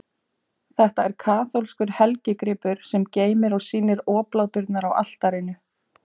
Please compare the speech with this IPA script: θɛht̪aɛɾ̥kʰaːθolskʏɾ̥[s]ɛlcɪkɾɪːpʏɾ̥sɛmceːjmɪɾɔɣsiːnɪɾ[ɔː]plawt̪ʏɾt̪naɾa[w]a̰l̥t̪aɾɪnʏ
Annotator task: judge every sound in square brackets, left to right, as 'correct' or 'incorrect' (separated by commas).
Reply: incorrect, correct, correct